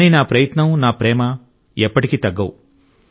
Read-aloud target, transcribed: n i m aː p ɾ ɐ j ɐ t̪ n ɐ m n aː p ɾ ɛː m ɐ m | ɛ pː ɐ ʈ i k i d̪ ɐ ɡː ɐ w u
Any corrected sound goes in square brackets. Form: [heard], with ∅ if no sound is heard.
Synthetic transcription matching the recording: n i [n] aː p ɾ ɐ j ɐ t̪ n ɐ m n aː p ɾ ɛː m ɐ [∅] | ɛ pː ɐ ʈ i k i [t̪] ɐ ɡː ɐ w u